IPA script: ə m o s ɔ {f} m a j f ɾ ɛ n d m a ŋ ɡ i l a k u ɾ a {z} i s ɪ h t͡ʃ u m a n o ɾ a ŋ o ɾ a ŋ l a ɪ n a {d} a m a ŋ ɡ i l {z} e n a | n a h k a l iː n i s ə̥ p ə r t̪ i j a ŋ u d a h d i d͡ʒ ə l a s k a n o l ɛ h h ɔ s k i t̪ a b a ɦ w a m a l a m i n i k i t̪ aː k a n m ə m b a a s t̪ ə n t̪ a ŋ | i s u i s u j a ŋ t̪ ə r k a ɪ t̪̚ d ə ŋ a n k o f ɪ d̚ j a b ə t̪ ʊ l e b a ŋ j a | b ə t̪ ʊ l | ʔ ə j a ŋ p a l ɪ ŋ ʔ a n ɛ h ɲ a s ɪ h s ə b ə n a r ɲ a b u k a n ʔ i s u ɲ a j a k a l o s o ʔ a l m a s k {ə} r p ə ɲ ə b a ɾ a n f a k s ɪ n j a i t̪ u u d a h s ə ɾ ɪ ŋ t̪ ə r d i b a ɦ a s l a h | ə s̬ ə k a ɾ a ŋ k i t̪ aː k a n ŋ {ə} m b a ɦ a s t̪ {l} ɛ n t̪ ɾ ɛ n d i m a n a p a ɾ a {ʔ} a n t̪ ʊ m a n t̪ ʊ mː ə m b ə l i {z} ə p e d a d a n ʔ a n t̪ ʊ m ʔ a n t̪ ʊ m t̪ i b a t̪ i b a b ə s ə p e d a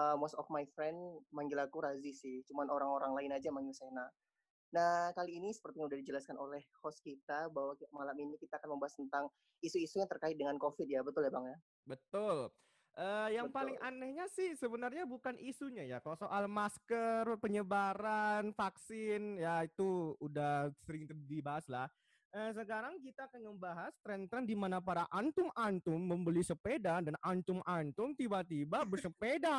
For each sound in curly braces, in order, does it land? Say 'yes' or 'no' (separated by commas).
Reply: yes, yes, no, no, yes, yes, no, yes, no